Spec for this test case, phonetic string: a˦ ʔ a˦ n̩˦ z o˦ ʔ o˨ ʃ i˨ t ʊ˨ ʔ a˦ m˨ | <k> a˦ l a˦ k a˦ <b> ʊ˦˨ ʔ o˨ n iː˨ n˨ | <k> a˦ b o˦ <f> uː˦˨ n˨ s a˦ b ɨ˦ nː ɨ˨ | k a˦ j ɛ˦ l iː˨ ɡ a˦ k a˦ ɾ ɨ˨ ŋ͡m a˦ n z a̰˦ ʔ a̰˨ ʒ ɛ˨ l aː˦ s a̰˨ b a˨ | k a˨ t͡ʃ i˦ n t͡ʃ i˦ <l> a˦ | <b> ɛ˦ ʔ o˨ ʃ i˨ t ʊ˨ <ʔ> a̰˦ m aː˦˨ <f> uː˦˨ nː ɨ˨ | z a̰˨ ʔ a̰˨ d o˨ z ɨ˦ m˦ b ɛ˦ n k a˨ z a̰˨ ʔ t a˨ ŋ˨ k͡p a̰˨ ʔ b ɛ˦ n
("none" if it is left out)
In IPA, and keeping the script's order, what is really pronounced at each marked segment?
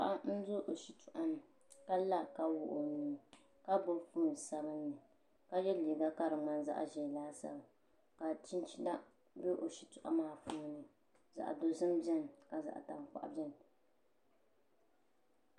k, w, k, f, l, b, ʔ, f

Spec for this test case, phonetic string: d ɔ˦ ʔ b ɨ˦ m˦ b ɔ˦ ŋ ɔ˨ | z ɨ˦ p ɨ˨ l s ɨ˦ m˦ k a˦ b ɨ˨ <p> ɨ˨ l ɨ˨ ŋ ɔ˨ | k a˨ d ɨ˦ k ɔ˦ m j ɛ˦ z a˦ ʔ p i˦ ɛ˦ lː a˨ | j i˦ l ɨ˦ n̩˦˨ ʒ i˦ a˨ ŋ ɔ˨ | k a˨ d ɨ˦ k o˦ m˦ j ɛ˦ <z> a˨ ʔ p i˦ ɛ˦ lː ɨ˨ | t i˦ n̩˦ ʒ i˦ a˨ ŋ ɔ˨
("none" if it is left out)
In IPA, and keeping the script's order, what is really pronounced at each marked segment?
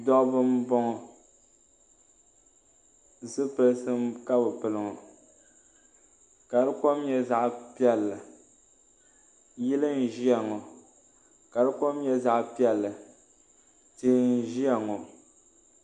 p, z

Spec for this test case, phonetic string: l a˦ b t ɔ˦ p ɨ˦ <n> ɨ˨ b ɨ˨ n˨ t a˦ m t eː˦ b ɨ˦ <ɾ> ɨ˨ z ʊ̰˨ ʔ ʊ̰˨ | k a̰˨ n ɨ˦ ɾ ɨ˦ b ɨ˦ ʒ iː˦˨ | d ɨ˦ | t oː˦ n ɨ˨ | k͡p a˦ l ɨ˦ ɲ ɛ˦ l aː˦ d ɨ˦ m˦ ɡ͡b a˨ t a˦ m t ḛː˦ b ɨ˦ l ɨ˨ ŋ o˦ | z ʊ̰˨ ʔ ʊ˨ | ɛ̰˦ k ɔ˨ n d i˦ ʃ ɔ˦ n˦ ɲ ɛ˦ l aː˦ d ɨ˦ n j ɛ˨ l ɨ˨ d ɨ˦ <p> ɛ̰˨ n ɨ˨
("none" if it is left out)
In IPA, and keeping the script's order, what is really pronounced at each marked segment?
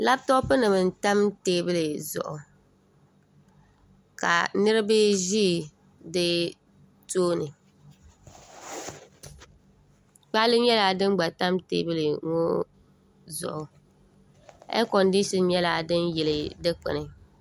n, l, k͡p

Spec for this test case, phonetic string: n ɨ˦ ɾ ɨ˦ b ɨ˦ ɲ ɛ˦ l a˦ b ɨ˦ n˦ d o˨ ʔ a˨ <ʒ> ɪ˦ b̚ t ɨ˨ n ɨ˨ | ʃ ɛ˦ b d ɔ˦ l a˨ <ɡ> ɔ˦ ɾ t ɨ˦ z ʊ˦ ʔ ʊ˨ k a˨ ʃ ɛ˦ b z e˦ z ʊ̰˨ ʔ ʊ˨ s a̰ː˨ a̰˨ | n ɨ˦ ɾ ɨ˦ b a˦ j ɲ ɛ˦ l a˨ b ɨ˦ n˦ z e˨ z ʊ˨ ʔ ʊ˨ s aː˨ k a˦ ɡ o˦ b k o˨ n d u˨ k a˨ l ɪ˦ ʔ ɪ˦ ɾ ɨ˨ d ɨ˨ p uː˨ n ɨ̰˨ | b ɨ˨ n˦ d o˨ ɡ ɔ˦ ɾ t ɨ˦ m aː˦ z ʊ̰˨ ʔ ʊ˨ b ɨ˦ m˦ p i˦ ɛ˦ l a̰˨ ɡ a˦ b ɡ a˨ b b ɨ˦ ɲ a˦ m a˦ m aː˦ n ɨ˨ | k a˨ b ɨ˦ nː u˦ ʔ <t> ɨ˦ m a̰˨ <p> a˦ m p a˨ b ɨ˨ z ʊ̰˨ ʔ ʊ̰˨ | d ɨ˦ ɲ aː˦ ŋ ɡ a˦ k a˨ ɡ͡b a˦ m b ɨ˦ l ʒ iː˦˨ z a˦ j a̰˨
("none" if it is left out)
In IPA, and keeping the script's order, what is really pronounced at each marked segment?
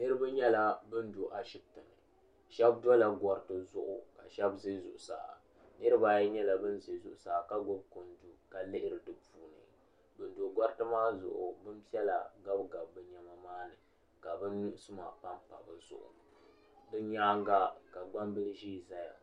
ʃ, ɡ, s, p

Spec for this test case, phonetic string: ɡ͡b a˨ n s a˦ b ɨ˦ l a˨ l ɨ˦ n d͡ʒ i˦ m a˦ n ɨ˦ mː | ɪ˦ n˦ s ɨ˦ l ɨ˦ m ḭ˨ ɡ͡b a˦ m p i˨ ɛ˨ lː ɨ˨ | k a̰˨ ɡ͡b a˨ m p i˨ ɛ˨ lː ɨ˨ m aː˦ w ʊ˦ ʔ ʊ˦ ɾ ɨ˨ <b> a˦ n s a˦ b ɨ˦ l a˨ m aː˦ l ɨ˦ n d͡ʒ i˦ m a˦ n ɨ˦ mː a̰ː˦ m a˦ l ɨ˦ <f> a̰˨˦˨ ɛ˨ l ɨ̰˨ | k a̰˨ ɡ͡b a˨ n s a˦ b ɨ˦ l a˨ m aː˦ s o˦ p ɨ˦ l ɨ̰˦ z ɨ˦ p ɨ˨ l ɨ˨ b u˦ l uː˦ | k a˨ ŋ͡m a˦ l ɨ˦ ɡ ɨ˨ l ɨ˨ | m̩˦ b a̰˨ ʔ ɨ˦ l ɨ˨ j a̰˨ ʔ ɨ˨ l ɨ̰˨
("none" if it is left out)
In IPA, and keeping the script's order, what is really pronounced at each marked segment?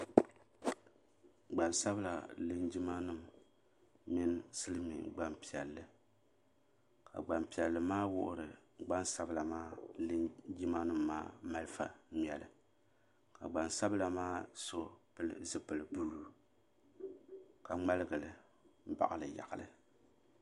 ɡ͡b, f

